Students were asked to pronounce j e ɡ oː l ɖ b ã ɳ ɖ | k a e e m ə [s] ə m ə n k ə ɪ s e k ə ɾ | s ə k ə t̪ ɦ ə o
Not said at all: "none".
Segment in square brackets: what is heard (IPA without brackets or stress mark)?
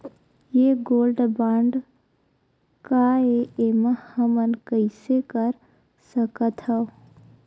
h